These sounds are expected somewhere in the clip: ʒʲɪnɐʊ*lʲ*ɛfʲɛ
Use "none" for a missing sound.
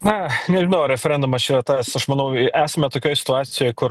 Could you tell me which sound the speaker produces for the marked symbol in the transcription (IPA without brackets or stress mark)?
ɾʲ